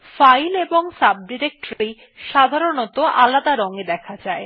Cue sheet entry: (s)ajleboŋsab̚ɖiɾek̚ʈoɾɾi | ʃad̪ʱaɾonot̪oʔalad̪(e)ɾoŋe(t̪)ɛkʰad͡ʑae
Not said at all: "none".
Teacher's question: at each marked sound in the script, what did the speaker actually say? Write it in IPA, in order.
f, a, d̪

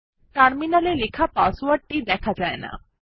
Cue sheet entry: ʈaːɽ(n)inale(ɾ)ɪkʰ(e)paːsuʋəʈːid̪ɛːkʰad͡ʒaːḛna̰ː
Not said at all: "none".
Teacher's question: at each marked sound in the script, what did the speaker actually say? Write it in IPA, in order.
m, l, a

